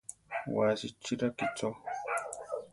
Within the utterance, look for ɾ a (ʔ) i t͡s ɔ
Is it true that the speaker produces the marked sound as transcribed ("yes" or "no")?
no